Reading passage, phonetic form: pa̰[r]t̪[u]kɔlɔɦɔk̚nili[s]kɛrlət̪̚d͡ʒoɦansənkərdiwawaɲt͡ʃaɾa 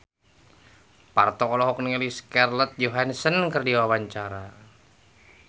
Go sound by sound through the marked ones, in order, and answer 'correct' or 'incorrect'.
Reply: correct, incorrect: ɔ, correct

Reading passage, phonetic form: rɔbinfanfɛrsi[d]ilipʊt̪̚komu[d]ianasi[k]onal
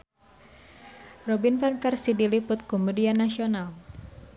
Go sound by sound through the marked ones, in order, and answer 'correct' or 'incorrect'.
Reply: correct, correct, incorrect: none

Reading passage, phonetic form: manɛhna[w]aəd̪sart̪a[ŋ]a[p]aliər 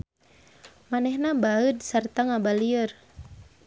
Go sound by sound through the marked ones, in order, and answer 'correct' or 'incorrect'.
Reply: incorrect: b, correct, incorrect: b

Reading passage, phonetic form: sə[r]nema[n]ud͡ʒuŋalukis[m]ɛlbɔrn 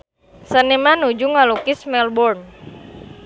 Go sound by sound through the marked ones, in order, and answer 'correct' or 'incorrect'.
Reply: incorrect: none, correct, correct

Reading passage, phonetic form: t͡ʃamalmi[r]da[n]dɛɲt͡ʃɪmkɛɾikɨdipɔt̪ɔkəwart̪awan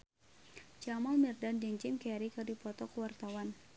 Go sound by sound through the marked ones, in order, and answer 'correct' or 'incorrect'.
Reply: correct, correct

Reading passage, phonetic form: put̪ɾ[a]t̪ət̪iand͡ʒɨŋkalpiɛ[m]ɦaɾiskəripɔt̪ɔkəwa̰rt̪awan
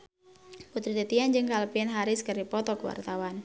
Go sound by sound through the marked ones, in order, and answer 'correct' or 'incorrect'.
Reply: incorrect: i, incorrect: n

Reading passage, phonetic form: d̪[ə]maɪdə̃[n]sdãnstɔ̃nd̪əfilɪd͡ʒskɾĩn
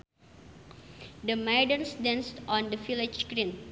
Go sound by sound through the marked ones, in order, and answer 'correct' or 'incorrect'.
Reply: correct, correct

